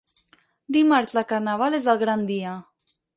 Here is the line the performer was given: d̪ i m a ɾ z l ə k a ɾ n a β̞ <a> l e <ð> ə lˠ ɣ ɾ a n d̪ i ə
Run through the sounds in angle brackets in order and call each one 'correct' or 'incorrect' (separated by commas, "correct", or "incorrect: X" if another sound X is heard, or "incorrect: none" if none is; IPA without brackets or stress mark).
correct, incorrect: z